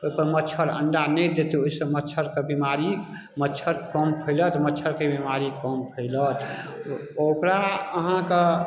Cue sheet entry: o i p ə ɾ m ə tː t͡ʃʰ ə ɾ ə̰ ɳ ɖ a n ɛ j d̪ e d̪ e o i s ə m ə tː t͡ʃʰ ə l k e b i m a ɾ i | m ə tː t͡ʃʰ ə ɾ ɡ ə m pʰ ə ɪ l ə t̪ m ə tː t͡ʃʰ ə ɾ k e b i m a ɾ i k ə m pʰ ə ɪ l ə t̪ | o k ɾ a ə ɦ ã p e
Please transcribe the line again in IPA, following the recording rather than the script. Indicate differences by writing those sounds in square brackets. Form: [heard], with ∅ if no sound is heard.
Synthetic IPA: o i p ə ɾ m ə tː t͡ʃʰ ə ɾ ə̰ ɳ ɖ a n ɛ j d̪ e [t̪] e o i s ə m ə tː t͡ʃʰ ə [ɾ] k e b i m a ɾ i | m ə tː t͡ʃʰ ə ɾ [k] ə m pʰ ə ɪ l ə t̪ m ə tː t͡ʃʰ ə ɾ k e b i m a ɾ i k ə m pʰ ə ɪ l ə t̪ | o k ɾ a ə ɦ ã [k] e